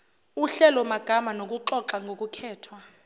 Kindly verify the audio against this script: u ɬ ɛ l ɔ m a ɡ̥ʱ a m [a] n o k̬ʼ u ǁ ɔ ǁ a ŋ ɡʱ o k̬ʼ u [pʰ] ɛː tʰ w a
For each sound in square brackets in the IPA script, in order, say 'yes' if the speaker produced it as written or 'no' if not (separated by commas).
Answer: yes, no